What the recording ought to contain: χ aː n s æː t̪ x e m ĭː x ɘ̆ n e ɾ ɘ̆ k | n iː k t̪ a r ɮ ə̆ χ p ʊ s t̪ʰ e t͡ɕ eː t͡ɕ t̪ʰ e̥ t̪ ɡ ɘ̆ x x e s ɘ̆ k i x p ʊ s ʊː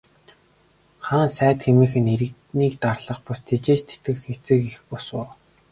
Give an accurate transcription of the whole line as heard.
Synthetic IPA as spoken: χ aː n s æː t̪ x e m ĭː x ɘ̆ n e ɾ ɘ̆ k | n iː k t̪ a r ɮ ə̆ χ p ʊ s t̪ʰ e t͡ɕ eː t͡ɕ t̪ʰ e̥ t̪ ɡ ɘ̆ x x e t͡s ɘ̆ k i x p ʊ s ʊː